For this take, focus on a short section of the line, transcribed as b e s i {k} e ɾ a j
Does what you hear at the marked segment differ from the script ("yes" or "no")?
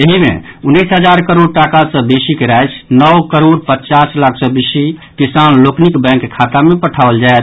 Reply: no